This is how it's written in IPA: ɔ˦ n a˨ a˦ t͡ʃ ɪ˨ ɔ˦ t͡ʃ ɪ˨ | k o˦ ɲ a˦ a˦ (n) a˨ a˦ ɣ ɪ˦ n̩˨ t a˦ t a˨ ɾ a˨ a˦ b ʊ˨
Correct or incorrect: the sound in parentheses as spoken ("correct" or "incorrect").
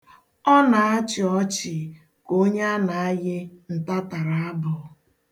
correct